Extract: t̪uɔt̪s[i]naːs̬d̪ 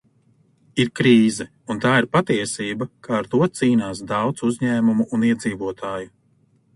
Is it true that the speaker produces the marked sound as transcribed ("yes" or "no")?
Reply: no